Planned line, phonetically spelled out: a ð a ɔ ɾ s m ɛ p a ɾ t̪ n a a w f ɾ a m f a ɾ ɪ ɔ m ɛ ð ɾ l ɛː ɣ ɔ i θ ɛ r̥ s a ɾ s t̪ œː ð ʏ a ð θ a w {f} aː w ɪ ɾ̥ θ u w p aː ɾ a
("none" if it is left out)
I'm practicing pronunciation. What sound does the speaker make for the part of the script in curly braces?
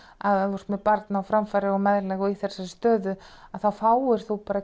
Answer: f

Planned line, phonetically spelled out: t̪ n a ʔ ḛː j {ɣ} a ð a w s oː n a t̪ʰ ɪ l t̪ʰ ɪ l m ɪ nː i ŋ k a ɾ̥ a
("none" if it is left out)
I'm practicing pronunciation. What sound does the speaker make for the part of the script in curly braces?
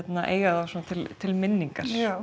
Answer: ɣ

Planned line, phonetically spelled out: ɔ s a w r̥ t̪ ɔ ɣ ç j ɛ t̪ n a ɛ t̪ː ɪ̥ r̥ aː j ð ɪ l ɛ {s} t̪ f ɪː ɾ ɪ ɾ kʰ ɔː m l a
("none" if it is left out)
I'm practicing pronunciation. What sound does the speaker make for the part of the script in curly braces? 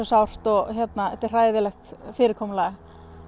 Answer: x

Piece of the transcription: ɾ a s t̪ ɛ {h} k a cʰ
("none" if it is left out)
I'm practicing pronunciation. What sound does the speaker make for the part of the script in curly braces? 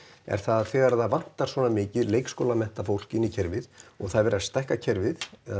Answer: h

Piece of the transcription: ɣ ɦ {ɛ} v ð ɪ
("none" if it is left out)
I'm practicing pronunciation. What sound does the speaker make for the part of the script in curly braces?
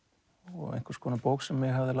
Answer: a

